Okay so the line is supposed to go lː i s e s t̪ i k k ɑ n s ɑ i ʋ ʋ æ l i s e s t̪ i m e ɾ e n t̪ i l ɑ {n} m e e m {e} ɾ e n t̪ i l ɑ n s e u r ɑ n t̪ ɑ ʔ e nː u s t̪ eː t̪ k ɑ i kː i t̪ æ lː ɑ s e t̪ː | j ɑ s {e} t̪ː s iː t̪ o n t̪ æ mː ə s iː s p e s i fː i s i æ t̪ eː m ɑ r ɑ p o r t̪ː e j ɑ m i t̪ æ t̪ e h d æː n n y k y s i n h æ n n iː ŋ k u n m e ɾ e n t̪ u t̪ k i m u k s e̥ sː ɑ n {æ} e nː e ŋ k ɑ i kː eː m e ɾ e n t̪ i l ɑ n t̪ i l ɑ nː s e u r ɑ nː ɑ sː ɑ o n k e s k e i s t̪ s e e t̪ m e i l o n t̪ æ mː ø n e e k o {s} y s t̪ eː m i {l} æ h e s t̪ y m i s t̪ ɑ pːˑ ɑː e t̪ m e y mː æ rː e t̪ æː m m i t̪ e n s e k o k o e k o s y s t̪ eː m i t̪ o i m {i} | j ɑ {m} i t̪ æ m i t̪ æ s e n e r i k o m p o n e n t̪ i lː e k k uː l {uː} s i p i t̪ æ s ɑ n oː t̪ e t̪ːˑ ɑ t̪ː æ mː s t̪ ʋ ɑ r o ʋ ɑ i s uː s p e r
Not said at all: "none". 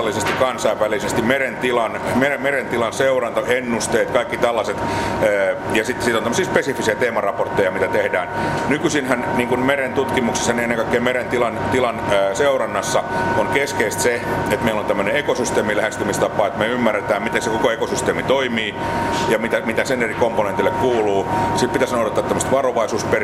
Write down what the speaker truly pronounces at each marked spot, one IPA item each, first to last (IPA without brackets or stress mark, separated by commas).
n, e, i, i, s, l, iː, m, uː